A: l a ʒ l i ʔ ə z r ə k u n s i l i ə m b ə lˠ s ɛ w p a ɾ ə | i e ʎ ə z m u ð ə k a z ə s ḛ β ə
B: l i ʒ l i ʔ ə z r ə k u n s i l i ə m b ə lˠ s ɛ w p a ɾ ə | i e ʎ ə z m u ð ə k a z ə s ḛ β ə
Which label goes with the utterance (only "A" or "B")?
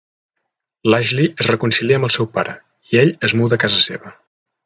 A